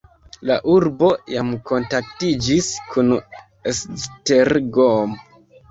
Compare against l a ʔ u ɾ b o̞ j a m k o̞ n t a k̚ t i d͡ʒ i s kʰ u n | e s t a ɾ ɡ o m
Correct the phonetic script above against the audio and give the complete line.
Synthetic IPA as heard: l a ʔ u ɾ b o̞ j a m k o̞ n t a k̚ t i d͡ʒ i s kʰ u n | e s t e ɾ ɡ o m